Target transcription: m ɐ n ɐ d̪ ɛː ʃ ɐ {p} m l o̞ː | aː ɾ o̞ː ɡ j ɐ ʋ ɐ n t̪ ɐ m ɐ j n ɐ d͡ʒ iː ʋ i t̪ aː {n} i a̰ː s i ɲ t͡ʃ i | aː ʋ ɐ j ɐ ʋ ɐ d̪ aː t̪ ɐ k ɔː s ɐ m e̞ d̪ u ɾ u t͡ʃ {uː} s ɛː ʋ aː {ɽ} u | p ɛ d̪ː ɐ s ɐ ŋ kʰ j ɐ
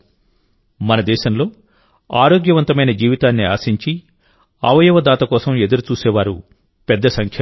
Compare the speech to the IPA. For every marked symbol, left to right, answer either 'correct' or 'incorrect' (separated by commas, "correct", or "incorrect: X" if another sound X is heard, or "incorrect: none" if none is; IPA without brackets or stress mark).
incorrect: none, incorrect: nː, correct, incorrect: ɾ